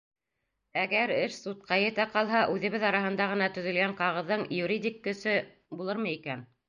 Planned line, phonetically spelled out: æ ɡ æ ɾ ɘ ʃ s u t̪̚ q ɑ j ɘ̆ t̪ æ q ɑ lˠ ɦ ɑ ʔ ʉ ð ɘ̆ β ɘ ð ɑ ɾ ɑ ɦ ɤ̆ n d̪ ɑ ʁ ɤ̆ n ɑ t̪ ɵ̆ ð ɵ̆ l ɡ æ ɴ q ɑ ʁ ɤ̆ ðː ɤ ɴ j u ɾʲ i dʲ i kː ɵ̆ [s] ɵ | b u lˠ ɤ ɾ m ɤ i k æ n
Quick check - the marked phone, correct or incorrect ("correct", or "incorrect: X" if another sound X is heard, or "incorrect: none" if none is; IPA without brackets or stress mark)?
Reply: correct